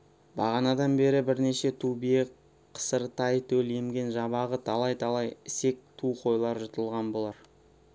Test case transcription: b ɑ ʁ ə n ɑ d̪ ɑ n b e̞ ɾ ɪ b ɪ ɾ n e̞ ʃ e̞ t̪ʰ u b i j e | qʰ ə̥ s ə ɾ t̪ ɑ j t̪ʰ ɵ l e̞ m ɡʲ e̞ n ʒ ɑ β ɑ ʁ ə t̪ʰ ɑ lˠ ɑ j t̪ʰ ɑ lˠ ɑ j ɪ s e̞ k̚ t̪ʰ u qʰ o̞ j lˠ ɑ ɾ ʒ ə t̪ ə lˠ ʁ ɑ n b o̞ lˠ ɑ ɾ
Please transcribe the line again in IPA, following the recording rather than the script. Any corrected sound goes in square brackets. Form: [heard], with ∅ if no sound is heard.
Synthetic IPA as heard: b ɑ ʁ [ɑ] n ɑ d̪ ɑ n b e̞ ɾ ɪ b ɪ ɾ n e̞ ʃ e̞ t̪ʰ u b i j e | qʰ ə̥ s ə ɾ t̪ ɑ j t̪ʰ ɵ l e̞ m ɡʲ e̞ n ʒ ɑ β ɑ ʁ ə t̪ʰ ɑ lˠ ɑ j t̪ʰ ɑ lˠ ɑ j ɪ s e̞ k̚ t̪ʰ u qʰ o̞ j lˠ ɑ ɾ ʒ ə t̪ ə lˠ ʁ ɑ n b o̞ lˠ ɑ ɾ

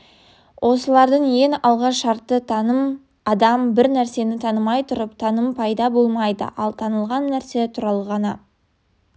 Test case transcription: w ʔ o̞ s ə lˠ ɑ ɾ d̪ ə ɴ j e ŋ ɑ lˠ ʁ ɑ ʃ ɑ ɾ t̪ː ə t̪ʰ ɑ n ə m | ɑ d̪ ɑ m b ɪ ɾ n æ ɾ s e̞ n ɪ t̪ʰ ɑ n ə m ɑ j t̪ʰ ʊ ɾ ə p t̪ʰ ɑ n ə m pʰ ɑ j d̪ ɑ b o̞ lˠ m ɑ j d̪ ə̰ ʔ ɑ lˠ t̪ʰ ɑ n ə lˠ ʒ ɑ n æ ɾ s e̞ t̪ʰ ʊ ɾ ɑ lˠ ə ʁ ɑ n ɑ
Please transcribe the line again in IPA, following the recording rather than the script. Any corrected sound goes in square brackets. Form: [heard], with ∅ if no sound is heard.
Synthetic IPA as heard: w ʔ o̞ s ə lˠ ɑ ɾ d̪ ə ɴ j e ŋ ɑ lˠ ʁ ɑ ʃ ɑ ɾ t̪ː ə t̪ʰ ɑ n ə m | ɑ d̪ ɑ m b ɪ ɾ n æ ɾ s e̞ n ɪ t̪ʰ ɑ n ə m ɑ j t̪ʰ ʊ ɾ ə p t̪ʰ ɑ n ə m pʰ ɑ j d̪ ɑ b o̞ lˠ m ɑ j d̪ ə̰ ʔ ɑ lˠ t̪ʰ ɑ n ə lˠ [ʁ] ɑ [nː] æ ɾ s e̞ t̪ʰ ʊ ɾ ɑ lˠ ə ʁ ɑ n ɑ

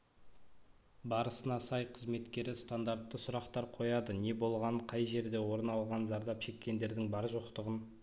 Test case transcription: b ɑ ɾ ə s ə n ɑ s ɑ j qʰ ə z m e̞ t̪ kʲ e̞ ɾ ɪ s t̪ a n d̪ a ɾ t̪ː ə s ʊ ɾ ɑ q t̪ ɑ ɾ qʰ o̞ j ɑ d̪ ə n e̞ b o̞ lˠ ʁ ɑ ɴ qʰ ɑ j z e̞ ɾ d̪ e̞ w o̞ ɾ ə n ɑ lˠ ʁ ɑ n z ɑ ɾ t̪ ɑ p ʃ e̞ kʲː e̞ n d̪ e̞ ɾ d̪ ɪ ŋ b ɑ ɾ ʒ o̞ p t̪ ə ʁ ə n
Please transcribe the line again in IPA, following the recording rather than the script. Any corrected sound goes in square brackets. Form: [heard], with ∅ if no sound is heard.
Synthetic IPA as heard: b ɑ ɾ ə s ə n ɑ s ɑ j qʰ ə z m e̞ t̪ kʲ e̞ ɾ ɪ s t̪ a n d̪ a ɾ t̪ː ə s ʊ ɾ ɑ q t̪ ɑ ɾ qʰ o̞ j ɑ d̪ ə n e̞ b o̞ lˠ ʁ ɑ ɴ qʰ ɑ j [ʒ] e̞ ɾ d̪ e̞ w o̞ ɾ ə n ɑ lˠ ʁ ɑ n z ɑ ɾ [d̪] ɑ p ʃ e̞ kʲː e̞ n d̪ e̞ ɾ d̪ ɪ ŋ b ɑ ɾ ʒ o̞ [q] t̪ ə ʁ ə n

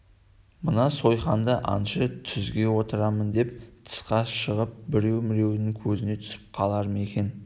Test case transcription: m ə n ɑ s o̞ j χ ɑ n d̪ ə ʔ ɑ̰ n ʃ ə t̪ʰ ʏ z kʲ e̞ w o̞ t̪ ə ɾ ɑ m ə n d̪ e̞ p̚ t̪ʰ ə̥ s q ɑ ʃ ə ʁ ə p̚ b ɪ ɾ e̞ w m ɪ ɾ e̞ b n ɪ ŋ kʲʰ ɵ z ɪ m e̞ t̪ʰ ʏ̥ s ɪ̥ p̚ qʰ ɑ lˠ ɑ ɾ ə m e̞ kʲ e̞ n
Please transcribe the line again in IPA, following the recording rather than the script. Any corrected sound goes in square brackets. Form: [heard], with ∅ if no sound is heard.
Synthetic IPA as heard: m ə n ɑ s o̞ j χ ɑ n d̪ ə ʔ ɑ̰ n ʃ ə t̪ʰ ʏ z [ɡʲ] e̞ w o̞ t̪ ə ɾ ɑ m ə n d̪ e̞ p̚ t̪ʰ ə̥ s q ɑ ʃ ə ʁ ə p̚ b ɪ ɾ e̞ w m ɪ ɾ e̞ [w] n ɪ ŋ kʲʰ ɵ z ɪ [n] e̞ t̪ʰ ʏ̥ s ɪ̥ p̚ qʰ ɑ lˠ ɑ ɾ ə m e̞ kʲ e̞ n

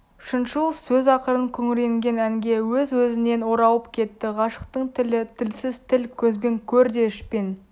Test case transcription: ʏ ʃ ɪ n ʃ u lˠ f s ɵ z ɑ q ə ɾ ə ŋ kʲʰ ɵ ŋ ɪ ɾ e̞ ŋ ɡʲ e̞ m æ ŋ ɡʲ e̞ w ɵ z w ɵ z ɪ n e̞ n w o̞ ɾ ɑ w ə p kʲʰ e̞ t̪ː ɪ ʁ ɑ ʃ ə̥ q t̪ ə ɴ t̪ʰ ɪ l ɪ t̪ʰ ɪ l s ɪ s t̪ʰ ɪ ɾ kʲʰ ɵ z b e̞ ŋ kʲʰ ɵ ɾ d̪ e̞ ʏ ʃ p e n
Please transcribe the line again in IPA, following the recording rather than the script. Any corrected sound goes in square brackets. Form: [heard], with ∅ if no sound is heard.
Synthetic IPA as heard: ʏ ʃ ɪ n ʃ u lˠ f s ɵ z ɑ q ə ɾ ə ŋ kʲʰ ɵ ŋ ɪ ɾ e̞ ŋ ɡʲ e̞ [n] æ ŋ ɡʲ e̞ w ɵ z w ɵ z ɪ n e̞ n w o̞ ɾ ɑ w ə p kʲʰ e̞ t̪ː ɪ ʁ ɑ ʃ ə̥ q t̪ ə ɴ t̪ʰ ɪ l ɪ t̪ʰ ɪ l s ɪ [z] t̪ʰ ɪ [l] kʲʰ ɵ z b e̞ ŋ kʲʰ ɵ ɾ d̪ e̞ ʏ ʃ p e n

